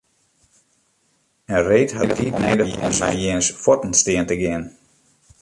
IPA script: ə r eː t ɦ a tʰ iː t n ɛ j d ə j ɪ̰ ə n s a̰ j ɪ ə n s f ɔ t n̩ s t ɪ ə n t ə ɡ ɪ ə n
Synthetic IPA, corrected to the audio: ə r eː t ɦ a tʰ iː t n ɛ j d ə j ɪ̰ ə n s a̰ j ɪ ə n s f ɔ t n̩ s t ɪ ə n t ə ɡ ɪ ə n